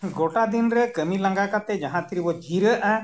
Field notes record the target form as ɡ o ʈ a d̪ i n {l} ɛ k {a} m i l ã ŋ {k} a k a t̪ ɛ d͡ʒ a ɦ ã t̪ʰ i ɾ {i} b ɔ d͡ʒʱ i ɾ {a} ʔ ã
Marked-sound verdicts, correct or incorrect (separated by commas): incorrect, incorrect, incorrect, correct, incorrect